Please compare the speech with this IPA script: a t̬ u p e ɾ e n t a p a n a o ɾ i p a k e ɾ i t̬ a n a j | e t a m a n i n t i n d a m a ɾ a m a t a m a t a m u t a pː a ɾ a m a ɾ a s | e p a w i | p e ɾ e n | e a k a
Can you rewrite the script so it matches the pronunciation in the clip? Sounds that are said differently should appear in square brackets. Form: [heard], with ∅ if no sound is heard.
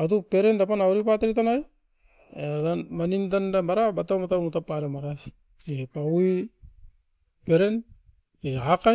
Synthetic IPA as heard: a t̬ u p e ɾ e n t a p a n a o ɾ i p a [t] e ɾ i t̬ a n a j | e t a m a n i n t [a] n d a m a ɾ a [b] a t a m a t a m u t a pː a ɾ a m a ɾ a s | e p a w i | p e ɾ e n | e a k a